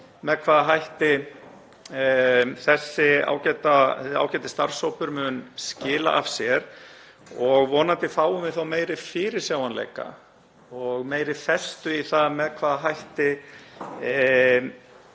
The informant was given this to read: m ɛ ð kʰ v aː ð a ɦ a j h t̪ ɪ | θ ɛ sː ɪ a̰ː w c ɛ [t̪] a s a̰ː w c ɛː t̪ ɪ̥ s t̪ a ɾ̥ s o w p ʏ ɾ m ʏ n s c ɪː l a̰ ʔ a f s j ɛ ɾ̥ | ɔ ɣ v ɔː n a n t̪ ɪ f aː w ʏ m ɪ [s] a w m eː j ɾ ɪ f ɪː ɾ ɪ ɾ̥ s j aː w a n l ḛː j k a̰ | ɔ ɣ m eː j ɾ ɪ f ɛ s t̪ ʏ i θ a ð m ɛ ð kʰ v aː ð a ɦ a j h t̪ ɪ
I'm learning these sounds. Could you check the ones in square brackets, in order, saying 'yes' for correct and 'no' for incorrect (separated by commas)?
yes, no